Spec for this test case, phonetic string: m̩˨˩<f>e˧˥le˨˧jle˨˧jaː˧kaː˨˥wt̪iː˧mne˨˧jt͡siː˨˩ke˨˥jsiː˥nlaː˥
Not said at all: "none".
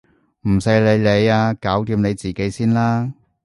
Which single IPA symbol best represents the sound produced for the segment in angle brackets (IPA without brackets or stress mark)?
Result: s